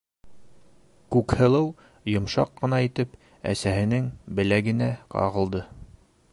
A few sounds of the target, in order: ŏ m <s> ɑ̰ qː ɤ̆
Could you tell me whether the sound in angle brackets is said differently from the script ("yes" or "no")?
yes